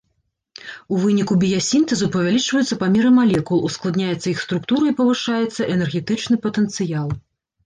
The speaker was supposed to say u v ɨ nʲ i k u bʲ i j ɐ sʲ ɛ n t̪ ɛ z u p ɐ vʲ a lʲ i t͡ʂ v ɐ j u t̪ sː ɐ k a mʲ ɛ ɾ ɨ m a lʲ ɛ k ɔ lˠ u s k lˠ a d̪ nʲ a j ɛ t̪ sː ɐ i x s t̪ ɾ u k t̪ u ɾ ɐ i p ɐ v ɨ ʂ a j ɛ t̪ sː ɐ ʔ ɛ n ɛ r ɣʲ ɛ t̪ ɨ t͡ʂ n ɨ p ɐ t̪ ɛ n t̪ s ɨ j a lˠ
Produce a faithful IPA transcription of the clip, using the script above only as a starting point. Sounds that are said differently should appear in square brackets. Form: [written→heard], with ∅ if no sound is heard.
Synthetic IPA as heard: u v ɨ nʲ i k u bʲ i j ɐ sʲ [ɛ→i] n t̪ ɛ z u p ɐ vʲ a lʲ i t͡ʂ v ɐ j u t̪ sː ɐ [k→p] a mʲ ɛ ɾ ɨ m a lʲ ɛ k [ɔ→u] lˠ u s k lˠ a d̪ nʲ a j ɛ t̪ sː ɐ i x s t̪ ɾ u k t̪ u ɾ ɐ i p ɐ v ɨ ʂ a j ɛ t̪ sː ɐ ʔ ɛ n ɛ r ɣʲ ɛ t̪ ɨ t͡ʂ n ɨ p ɐ t̪ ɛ n t̪ s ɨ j a lˠ